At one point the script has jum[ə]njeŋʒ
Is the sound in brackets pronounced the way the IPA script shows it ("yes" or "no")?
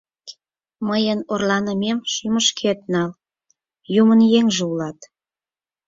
yes